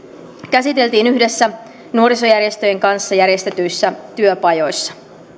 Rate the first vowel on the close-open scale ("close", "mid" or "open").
open